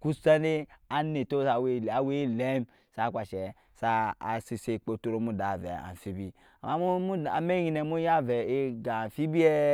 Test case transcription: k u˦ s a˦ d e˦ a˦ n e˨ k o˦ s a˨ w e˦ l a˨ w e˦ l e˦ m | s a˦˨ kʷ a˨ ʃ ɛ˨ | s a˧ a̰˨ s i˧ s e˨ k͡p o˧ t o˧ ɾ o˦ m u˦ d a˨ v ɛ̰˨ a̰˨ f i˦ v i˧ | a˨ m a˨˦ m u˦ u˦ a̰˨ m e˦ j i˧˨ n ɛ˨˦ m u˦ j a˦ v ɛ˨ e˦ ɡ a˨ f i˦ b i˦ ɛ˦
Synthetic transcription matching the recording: k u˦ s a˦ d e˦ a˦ n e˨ t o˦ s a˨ w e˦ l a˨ w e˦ l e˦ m | s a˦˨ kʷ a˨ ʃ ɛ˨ | s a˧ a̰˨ s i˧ s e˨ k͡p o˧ t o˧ ɾ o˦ m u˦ d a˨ v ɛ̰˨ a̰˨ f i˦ b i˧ | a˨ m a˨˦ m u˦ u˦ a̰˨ m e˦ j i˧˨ n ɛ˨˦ m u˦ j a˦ v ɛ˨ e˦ ɡ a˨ f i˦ b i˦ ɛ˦